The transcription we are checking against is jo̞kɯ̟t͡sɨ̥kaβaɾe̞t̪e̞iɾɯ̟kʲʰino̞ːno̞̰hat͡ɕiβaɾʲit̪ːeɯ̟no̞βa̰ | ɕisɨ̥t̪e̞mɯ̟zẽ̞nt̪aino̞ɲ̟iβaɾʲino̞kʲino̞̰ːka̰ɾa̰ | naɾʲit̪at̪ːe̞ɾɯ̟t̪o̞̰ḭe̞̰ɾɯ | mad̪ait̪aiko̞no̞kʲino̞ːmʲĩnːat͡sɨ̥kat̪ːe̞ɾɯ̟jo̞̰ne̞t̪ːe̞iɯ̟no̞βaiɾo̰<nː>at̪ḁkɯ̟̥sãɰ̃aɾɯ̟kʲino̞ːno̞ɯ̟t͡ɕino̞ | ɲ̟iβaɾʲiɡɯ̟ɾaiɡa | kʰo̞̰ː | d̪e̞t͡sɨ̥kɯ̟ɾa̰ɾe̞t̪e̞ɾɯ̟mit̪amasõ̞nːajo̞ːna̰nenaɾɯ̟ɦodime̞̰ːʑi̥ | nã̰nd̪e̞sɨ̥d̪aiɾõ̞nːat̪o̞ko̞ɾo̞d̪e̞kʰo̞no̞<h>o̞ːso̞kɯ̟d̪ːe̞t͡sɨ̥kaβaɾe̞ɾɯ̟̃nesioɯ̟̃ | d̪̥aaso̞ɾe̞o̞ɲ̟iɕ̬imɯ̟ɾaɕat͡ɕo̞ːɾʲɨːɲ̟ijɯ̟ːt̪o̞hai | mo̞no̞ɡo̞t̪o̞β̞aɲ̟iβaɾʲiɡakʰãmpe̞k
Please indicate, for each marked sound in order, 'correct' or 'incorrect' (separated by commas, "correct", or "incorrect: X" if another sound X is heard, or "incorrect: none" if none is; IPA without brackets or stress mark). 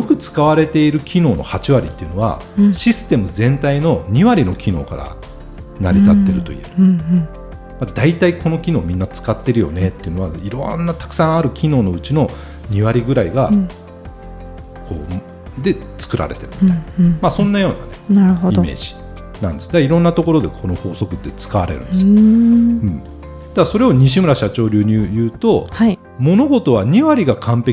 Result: correct, correct